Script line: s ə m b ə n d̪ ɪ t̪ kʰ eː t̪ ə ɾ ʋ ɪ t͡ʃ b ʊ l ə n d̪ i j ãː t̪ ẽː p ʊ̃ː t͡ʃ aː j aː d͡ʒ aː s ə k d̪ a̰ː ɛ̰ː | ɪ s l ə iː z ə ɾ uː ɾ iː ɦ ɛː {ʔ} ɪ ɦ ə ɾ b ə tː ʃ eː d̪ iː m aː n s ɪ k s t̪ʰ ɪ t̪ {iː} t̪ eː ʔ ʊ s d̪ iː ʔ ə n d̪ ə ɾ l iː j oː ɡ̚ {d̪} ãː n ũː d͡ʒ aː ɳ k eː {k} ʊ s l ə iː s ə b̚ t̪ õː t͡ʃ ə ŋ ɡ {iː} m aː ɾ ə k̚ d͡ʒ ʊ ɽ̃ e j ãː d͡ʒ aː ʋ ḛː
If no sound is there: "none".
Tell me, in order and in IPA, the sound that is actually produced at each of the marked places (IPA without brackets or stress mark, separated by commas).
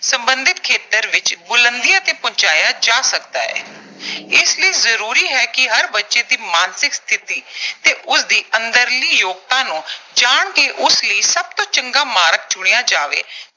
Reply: k, iː, t̪, ʔ, aː